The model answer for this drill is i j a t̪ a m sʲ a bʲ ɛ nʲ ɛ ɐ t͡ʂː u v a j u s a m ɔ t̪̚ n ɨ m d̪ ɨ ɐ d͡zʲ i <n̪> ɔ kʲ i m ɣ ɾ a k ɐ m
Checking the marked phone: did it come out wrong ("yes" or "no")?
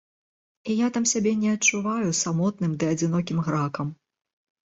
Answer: no